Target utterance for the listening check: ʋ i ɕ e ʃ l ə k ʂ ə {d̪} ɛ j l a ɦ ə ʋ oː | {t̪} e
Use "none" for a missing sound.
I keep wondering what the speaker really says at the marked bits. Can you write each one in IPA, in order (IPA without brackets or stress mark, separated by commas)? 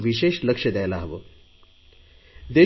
d̪, d̪